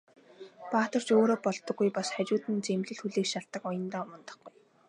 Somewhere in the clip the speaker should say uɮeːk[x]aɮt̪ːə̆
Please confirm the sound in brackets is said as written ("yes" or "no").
no